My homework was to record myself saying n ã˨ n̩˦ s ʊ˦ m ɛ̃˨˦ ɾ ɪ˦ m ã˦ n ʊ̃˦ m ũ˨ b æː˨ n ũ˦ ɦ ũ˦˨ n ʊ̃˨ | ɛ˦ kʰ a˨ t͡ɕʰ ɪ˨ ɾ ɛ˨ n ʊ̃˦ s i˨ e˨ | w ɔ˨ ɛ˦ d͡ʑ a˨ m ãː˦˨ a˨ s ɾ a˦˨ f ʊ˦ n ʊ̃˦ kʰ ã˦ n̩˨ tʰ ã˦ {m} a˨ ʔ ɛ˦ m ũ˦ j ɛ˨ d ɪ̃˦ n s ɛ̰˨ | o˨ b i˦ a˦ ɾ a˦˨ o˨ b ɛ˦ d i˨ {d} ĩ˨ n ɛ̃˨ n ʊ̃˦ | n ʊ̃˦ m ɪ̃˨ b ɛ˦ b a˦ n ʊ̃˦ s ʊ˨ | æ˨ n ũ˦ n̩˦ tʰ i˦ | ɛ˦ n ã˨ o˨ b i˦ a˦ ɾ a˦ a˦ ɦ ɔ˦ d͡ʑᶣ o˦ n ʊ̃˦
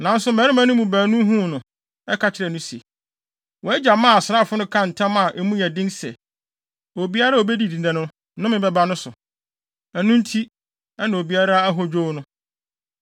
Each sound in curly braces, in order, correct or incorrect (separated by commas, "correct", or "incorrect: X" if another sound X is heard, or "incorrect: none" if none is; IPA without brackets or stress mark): correct, correct